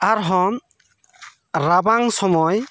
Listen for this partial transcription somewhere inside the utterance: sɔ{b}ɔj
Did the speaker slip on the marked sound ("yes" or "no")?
yes